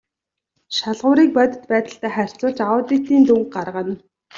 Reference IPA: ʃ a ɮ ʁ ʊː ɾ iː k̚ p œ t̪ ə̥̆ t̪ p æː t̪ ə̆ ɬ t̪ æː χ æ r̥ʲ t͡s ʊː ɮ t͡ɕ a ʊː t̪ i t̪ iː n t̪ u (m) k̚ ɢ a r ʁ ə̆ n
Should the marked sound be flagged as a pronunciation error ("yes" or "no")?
yes